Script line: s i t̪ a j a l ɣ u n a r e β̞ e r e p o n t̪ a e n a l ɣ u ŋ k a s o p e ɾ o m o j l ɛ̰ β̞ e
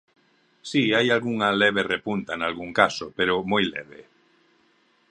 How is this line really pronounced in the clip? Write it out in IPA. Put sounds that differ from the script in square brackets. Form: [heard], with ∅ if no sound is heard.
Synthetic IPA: s i [∅] a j a l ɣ u [ŋ] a [l] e β̞ e r e p [u] n t̪ a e n a l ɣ u ŋ k a s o p e ɾ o m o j l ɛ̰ β̞ e